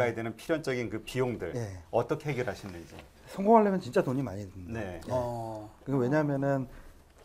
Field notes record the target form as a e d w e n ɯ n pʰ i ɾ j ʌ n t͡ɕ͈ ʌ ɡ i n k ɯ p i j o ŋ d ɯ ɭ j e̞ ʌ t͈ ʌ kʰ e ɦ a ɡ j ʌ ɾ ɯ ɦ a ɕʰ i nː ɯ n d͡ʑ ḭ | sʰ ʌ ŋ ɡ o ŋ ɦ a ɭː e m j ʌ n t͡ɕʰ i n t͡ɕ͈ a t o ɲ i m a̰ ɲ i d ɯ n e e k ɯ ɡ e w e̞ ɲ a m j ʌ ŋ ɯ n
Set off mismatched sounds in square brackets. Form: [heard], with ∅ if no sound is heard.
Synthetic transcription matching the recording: a e d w e n ɯ n pʰ i ɾ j ʌ n t͡ɕ͈ ʌ ɡ i n k ɯ p i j o ŋ d ɯ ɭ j e̞ ʌ t͈ ʌ kʰ e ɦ [e] ɡ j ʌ ɾ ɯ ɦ a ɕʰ i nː ɯ n d͡ʑ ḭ | sʰ ʌ ŋ ɡ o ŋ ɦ a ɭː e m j ʌ n [t͡ɕ] i n t͡ɕ͈ a t o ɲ i m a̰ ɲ i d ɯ n e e k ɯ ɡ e w e̞ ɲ a m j ʌ [n] ɯ n